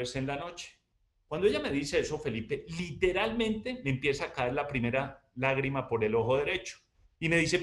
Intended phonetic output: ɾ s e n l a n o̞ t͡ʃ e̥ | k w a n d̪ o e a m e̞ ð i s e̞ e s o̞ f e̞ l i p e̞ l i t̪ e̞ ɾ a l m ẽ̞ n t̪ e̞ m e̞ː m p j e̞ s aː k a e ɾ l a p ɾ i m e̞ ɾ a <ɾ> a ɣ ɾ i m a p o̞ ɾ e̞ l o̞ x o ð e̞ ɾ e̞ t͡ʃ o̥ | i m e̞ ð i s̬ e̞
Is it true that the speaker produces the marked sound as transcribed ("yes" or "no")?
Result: no